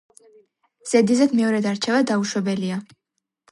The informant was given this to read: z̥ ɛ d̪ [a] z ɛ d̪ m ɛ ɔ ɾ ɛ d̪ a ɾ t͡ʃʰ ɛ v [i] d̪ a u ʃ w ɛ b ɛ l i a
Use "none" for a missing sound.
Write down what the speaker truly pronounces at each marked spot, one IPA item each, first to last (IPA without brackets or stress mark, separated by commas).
i, a